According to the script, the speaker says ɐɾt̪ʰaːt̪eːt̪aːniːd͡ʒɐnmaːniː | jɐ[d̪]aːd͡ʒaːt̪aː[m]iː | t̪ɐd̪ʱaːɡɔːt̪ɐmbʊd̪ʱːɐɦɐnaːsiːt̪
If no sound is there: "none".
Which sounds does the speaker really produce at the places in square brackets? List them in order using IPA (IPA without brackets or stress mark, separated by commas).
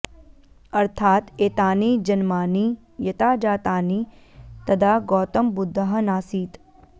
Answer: t̪, n